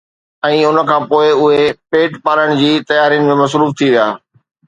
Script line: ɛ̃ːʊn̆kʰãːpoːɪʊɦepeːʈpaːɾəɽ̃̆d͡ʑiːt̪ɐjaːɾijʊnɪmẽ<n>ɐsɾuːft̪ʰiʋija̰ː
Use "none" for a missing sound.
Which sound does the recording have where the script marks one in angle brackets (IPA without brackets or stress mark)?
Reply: m